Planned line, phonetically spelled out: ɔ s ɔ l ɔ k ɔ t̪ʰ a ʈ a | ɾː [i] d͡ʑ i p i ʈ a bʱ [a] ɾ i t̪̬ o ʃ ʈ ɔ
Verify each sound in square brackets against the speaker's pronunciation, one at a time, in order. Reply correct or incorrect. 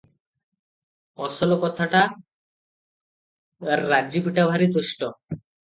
incorrect: a, correct

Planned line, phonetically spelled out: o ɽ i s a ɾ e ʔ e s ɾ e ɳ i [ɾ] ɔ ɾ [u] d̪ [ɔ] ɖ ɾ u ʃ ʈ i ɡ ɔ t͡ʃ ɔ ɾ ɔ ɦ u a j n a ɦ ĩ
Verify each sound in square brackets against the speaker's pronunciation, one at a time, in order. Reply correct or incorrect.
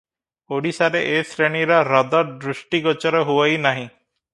correct, incorrect: ɔ, correct

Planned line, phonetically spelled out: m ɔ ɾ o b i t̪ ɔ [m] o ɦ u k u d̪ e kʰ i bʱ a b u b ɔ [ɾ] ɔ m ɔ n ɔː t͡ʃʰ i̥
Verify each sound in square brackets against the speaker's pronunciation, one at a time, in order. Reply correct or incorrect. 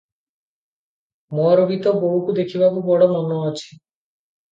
incorrect: b, incorrect: ɽ

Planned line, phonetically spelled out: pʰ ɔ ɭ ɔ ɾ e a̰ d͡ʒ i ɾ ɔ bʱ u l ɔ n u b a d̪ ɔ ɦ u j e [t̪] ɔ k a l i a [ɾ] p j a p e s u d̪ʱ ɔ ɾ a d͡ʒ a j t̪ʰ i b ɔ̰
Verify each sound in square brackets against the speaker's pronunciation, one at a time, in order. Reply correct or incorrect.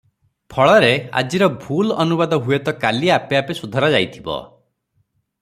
correct, incorrect: none

